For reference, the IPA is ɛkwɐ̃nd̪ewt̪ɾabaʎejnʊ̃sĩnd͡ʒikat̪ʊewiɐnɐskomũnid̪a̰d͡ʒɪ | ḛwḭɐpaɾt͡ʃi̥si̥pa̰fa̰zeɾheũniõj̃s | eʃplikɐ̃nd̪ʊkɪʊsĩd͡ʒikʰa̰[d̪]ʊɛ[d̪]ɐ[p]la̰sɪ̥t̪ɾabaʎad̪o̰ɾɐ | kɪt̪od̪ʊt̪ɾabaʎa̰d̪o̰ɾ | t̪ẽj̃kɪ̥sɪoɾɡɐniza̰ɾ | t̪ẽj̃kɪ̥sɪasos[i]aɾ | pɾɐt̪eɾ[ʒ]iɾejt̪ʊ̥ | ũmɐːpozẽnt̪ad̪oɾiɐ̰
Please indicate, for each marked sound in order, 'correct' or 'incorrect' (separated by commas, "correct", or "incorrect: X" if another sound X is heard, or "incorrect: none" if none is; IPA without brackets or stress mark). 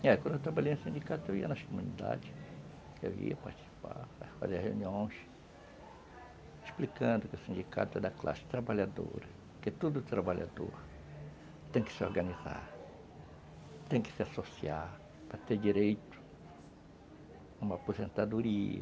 incorrect: t̪, correct, incorrect: k, correct, incorrect: d͡ʒ